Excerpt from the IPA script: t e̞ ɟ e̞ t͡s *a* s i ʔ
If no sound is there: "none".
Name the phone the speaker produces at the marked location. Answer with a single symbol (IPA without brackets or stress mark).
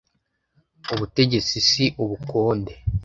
i